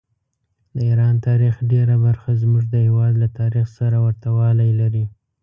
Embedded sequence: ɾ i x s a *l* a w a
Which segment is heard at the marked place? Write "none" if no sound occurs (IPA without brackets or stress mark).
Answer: ɾ